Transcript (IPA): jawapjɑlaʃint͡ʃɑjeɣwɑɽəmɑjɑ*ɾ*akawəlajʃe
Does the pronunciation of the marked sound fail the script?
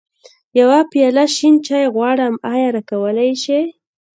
no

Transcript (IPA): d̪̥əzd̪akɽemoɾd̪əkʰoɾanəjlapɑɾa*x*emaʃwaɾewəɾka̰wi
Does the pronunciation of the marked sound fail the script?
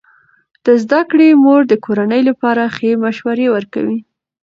no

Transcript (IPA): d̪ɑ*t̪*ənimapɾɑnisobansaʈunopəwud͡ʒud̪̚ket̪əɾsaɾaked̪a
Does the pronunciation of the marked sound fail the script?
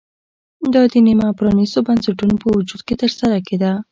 yes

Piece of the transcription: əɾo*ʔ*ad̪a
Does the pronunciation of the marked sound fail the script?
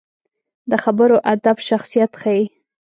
no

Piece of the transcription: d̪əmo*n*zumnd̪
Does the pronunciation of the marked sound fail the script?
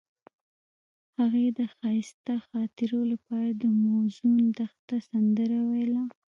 yes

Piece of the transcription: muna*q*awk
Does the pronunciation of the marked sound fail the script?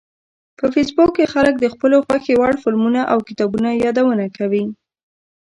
yes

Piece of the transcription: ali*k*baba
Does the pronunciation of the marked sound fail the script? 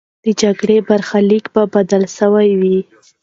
no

